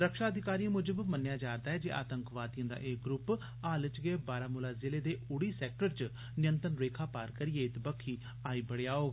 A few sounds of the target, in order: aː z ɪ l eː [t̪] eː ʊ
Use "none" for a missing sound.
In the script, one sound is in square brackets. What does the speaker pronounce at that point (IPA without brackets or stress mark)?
d̪